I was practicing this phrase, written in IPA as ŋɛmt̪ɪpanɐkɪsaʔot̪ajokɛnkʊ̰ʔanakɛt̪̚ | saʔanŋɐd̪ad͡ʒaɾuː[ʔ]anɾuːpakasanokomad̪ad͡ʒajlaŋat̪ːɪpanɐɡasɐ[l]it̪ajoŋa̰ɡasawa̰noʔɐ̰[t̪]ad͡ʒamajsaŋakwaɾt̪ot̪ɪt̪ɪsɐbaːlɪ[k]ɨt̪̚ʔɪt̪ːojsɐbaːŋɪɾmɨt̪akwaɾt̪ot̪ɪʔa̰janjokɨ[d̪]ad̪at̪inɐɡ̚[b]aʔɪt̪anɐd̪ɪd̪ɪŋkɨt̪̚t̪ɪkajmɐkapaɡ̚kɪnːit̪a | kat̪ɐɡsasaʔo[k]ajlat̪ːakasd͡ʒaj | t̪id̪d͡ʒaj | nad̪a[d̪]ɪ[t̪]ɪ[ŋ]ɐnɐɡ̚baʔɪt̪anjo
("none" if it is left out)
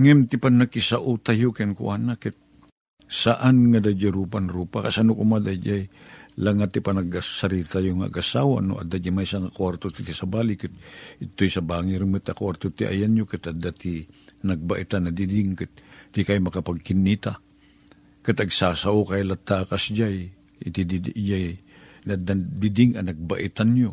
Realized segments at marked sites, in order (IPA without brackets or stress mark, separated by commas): p, ɾ, d̪, k, t̪, b, k, d̪, d̪, ŋ